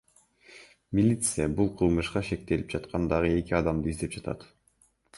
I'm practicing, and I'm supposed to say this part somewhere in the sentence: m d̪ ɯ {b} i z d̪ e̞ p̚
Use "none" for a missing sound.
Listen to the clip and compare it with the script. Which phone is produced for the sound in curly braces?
none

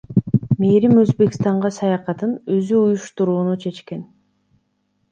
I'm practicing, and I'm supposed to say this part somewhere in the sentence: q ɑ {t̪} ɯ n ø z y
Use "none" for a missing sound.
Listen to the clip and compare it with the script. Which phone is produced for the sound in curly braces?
t̪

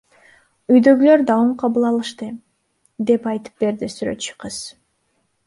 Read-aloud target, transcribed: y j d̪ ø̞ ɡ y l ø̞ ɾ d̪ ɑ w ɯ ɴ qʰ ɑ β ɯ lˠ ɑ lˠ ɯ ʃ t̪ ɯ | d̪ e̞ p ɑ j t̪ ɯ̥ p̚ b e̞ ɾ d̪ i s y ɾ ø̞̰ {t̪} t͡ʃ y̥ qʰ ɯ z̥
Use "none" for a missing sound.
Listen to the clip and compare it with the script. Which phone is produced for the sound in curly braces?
t̪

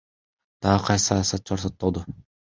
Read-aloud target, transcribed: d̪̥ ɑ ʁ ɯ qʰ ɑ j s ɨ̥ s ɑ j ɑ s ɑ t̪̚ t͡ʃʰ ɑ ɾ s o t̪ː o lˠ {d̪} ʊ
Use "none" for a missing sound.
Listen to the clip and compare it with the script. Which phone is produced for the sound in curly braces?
d̪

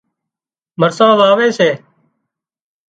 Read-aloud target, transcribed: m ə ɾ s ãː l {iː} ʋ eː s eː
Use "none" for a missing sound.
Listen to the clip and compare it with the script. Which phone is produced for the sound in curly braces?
aː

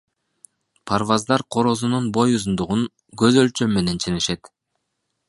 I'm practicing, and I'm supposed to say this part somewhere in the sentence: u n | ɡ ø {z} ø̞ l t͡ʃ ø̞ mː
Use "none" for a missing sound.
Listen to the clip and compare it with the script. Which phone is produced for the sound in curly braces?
z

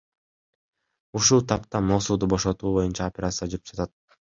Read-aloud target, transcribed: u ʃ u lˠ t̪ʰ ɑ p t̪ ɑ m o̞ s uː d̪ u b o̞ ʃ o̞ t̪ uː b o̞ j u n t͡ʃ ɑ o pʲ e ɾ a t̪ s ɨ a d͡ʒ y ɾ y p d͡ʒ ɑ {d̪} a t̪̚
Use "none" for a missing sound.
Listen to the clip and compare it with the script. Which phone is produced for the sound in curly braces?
t̪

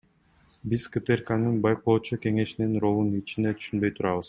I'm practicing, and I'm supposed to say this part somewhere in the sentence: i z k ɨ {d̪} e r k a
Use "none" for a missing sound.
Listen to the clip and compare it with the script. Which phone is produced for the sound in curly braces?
t̪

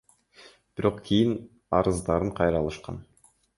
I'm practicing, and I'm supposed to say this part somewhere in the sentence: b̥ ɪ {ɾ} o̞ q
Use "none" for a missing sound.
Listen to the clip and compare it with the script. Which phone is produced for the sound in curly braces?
ɾ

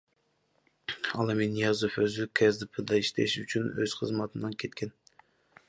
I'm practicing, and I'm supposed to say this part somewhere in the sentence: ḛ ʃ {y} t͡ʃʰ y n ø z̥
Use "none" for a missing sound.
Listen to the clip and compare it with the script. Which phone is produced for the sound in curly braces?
y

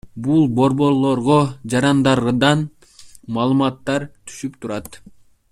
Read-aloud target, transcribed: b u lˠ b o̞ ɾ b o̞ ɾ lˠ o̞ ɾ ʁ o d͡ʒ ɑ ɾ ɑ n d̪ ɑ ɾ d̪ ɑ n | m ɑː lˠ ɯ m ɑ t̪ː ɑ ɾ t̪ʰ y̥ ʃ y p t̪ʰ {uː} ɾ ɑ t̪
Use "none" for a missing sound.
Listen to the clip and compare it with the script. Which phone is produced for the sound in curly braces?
u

